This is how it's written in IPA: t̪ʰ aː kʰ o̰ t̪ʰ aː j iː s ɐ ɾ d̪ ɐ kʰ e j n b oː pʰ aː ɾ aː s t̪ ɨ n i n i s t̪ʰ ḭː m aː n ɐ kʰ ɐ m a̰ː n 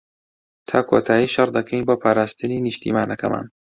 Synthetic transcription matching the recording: t̪ʰ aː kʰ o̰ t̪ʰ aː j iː ʃ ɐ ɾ d̪ ɐ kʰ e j n b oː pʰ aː ɾ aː s t̪ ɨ n i n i ʃ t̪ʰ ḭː m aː n ɐ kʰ ɐ m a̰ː n